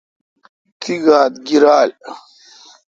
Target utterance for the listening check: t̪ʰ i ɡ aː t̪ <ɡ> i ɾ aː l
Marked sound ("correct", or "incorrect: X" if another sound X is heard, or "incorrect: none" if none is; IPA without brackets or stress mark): correct